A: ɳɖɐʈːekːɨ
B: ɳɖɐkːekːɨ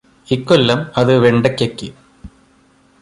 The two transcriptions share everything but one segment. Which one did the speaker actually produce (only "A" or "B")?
B